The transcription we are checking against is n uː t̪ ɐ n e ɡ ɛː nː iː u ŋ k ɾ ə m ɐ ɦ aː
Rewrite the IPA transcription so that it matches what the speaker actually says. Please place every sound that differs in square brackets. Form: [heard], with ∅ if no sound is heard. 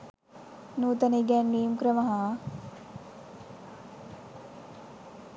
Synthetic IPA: n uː t̪ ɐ n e ɡ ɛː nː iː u [m] k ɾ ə m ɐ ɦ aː